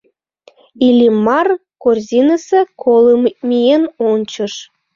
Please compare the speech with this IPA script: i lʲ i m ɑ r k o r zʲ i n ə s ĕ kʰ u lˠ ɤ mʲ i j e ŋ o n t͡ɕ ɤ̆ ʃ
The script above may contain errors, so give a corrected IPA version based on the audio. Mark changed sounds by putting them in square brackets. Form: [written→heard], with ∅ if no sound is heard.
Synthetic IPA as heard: i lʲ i m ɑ r k o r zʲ i n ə s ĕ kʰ [u→o] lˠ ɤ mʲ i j e [ŋ→n] o n t͡ɕ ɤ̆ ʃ